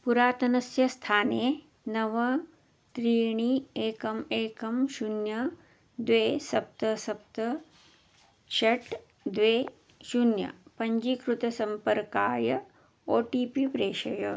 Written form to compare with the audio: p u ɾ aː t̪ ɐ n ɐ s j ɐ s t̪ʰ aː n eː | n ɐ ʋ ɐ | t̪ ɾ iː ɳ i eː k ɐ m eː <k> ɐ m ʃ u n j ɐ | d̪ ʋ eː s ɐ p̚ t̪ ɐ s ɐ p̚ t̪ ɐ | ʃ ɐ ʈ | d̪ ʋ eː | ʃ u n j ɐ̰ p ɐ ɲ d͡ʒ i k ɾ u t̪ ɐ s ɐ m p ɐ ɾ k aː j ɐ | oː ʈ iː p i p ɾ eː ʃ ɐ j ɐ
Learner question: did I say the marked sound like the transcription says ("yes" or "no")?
yes